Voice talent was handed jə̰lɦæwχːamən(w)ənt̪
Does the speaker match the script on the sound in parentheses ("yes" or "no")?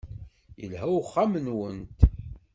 yes